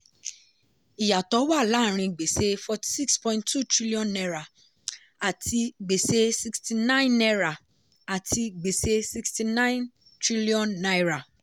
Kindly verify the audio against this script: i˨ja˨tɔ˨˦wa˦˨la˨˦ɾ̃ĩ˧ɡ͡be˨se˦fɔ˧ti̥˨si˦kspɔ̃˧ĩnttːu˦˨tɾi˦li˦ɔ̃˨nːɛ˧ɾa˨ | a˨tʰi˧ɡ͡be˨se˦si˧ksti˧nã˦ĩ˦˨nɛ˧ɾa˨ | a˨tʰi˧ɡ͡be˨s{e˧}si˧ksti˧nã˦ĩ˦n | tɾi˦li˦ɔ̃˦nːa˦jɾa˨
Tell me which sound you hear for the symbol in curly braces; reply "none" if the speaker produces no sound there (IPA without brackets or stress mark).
e˧